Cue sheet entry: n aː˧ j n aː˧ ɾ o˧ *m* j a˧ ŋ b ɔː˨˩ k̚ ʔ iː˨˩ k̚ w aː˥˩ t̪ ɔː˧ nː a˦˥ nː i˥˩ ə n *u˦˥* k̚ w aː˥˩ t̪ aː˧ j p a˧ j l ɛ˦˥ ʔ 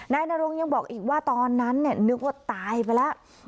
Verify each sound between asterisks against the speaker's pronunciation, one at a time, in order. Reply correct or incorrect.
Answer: incorrect, incorrect

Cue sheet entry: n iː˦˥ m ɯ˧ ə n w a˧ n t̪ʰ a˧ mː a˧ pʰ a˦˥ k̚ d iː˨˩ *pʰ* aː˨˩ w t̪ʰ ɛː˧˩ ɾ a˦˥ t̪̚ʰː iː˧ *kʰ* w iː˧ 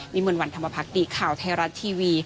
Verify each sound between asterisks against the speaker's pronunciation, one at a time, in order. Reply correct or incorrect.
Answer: incorrect, incorrect

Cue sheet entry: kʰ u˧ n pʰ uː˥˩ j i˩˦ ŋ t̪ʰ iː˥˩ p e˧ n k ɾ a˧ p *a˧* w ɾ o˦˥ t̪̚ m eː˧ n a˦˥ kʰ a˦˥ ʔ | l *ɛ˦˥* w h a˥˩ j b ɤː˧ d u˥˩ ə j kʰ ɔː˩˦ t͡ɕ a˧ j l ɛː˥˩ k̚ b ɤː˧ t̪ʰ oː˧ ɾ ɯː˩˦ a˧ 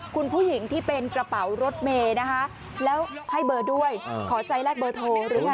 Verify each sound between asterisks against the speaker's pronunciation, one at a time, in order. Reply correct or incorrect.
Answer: incorrect, incorrect

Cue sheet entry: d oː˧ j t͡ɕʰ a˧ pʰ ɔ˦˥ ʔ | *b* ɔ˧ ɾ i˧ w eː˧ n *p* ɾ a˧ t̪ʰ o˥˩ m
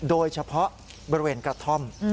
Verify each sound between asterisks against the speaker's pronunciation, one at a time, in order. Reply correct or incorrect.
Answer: correct, incorrect

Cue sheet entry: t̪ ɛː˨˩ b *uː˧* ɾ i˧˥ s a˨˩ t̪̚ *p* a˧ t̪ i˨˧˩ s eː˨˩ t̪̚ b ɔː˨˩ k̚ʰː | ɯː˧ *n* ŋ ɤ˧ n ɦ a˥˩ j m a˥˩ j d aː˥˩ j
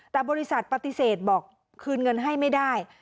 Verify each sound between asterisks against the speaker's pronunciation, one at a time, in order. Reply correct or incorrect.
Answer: incorrect, correct, correct

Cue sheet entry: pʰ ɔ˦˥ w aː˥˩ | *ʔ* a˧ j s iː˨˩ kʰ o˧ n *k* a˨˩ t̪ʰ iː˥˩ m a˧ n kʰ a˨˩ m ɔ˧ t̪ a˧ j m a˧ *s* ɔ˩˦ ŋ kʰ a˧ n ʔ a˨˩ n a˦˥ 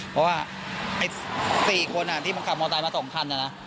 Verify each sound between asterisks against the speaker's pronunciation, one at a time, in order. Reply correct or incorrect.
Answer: correct, incorrect, correct

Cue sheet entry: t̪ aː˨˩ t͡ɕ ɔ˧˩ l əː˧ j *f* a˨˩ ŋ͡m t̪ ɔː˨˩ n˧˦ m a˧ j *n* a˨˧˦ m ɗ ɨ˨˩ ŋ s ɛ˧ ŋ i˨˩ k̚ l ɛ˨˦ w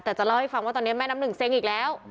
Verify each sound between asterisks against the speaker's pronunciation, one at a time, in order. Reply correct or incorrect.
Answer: correct, correct

